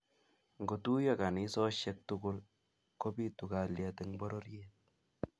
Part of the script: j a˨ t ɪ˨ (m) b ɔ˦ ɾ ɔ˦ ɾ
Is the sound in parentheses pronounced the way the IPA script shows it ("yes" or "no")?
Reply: no